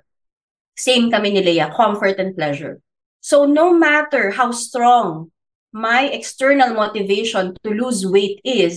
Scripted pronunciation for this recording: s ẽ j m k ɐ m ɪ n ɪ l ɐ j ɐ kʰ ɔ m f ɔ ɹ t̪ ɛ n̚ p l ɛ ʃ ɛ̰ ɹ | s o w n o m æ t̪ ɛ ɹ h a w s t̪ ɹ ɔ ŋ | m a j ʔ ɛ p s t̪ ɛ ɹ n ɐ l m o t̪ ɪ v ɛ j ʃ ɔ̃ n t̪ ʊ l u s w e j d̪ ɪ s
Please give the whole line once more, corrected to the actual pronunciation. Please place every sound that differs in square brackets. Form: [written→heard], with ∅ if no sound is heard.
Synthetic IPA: s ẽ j m k ɐ m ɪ n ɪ l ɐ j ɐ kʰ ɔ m f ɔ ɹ t̪ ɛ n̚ p l ɛ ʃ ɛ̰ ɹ | s o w n o m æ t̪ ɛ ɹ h a w s t̪ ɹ ɔ ŋ | m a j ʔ ɛ [p→k] s t̪ ɛ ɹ n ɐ l m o t̪ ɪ v [ɛ→e] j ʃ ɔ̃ n t̪ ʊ l u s w e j [d̪→t̪] ɪ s